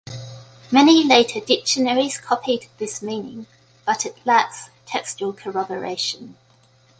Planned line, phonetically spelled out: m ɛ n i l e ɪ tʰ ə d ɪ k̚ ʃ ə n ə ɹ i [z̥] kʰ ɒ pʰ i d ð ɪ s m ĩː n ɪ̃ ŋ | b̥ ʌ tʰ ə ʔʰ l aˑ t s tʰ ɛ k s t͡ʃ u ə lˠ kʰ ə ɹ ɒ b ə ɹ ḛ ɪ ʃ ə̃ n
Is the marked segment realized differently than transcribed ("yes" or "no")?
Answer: no